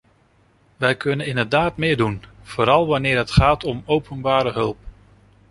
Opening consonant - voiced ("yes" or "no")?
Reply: yes